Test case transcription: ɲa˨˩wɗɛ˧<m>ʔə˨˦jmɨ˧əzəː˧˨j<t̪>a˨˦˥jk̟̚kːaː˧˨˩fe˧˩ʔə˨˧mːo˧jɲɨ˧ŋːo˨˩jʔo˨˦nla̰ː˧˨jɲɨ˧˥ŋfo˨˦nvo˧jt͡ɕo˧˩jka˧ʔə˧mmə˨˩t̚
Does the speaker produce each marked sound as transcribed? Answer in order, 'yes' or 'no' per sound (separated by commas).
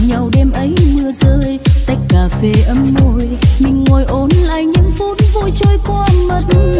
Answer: yes, yes